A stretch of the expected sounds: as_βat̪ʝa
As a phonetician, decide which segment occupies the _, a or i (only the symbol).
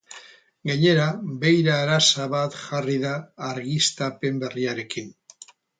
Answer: a